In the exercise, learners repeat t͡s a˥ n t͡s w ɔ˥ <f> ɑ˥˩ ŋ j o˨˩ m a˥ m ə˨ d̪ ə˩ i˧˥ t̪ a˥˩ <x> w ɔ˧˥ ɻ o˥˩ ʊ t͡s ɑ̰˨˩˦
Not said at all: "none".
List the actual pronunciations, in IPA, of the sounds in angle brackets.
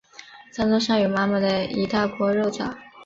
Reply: ʂ, k

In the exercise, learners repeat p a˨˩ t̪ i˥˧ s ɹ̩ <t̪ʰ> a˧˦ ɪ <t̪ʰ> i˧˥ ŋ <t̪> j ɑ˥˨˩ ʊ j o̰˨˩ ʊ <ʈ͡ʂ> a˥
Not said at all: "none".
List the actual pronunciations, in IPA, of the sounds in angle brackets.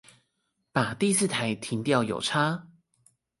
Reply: t̪ʰ, t̪ʰ, t̪, ʈ͡ʂʰ

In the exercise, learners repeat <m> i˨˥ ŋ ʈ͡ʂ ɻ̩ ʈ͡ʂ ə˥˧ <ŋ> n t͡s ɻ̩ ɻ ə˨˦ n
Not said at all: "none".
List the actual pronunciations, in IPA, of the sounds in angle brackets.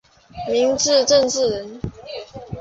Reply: m, none

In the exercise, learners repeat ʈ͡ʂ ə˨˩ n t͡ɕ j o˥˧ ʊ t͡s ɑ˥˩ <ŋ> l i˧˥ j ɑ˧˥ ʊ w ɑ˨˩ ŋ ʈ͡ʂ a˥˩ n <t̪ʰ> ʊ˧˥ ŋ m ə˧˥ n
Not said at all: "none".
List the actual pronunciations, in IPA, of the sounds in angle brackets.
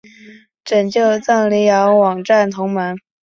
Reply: ŋ, t̪ʰ

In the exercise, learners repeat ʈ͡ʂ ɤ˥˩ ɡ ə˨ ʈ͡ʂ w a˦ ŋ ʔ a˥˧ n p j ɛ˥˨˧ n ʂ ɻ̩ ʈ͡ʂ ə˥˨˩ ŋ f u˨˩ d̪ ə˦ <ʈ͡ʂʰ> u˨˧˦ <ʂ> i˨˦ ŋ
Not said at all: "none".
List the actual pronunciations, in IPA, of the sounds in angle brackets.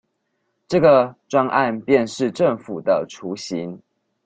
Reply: ʈ͡ʂʰ, ɕ

